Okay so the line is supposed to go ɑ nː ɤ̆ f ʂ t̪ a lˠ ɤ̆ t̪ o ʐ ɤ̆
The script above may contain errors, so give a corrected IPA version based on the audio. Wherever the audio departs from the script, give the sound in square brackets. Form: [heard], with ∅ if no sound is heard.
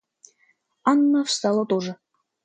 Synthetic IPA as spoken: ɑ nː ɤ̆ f [s] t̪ [ɑ] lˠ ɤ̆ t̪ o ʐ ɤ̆